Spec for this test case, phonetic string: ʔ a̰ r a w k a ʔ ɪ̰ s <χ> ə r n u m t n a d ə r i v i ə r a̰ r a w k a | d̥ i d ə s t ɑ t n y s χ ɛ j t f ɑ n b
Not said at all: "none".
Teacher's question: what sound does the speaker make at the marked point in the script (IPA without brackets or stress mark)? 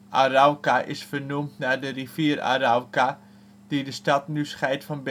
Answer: f